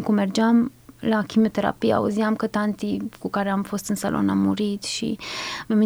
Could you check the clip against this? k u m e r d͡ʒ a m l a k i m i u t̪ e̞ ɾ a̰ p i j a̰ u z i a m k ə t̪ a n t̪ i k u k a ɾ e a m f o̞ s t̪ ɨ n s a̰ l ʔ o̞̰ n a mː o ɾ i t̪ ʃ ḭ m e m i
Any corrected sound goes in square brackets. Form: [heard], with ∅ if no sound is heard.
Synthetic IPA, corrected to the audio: k u m e r d͡ʒ a m l a k i m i [o] t̪ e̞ ɾ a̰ p i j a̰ u z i a m k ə t̪ a n t̪ i k u k a ɾ e a m f o̞ s t̪ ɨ n s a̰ l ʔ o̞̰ n a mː [u] ɾ i t̪ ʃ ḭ m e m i